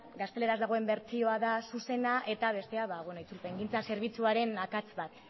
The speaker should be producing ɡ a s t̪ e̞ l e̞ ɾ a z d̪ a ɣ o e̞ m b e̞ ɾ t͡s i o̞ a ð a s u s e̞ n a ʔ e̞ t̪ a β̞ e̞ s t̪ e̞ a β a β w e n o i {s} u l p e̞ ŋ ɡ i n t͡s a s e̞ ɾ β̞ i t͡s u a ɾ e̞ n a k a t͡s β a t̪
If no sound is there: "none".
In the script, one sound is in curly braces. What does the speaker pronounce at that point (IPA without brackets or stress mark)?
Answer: t͡s